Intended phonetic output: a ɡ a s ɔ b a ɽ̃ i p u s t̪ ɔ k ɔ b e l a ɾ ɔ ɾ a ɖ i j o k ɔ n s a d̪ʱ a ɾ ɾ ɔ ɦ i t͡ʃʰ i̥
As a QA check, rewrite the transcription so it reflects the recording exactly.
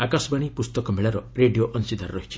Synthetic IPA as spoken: a k a s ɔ b a ɽ̃ i p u s t̪ ɔ k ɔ m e ɭ a ɾ ɔ ɾ e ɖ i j o ʔ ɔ n s i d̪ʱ a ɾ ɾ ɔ ɦ i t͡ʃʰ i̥